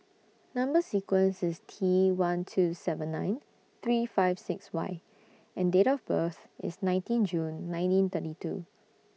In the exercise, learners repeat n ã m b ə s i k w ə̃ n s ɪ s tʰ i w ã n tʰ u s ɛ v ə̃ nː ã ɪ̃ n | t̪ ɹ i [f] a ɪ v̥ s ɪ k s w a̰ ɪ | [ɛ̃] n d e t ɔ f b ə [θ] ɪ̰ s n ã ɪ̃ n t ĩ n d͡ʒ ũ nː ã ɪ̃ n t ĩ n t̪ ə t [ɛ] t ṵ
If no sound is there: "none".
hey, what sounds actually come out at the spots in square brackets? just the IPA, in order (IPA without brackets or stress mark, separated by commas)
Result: f, ɛ̃, θ, i